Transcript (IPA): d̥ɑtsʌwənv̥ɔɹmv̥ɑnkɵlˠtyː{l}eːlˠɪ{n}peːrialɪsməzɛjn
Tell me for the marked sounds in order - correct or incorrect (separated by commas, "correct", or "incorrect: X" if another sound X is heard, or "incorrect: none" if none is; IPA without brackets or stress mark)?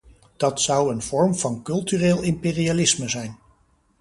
incorrect: r, incorrect: m